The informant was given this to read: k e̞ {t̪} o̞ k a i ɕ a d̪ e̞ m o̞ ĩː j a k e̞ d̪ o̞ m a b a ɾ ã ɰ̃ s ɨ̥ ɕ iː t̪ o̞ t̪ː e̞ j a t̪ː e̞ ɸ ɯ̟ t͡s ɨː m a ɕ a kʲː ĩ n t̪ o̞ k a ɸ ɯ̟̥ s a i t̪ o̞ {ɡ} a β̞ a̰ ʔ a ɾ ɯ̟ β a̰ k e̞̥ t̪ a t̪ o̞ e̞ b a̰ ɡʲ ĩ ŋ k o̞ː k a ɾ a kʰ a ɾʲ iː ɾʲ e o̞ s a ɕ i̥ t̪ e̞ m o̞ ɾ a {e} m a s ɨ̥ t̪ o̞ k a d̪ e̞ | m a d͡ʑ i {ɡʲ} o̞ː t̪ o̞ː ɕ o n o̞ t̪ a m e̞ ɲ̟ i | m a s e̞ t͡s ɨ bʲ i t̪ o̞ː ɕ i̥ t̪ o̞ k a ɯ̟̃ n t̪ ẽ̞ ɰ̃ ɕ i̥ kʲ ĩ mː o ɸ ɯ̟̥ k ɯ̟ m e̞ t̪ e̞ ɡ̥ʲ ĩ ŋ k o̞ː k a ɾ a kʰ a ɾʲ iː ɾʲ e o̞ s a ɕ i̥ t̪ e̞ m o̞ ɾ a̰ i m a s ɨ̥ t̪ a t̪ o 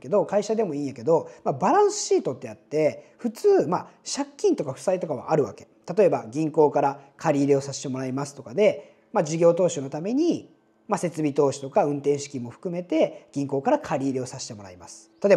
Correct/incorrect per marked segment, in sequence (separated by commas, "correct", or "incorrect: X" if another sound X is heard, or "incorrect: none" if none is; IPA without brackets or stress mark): incorrect: d̪, incorrect: k, incorrect: i, correct